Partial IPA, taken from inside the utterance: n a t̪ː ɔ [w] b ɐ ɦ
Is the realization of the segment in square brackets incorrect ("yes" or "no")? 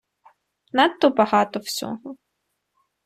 yes